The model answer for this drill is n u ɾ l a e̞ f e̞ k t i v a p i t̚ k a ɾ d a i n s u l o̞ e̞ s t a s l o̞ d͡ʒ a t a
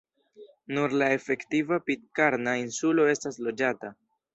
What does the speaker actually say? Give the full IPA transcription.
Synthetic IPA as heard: n u ɾ l a e̞ f e̞ k t i v a p i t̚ k a ɾ n a i n s u l o̞ e̞ s t a s l o̞ d͡ʒ a t a